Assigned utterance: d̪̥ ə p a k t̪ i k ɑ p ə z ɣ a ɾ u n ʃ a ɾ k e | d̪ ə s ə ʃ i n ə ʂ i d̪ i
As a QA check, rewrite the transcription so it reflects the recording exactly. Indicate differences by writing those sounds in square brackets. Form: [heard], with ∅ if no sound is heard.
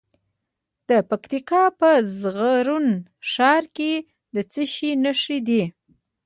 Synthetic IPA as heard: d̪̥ ə p a k t̪ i k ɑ p ə z ɣ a ɾ u n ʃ [ɑ] ɾ k e | d̪ ə [t͡s] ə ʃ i n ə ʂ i d̪ i